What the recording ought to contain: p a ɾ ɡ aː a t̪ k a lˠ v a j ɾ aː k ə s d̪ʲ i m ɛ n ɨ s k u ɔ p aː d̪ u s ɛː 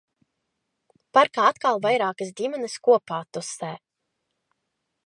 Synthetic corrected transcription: p a ɾ k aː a t̪ k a lˠ v a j ɾ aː k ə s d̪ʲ i m ɛ n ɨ s k u ɔ p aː t̪ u s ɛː